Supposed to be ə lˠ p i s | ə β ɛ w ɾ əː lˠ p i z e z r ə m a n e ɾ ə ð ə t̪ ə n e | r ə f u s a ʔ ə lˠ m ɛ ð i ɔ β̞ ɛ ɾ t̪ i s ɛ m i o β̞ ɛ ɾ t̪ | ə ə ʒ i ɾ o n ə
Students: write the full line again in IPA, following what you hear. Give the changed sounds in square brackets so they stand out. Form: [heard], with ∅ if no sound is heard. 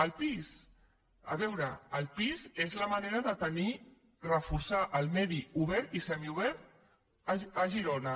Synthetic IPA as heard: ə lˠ p i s | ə β ɛ w ɾ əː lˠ p i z e z [l] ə m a n e ɾ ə ð ə t̪ ə n [i] | r ə f u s a ʔ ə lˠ m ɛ ð i [u] β̞ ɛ ɾ t̪ i s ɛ m i [u] β̞ ɛ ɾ t̪ | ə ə ʒ i ɾ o n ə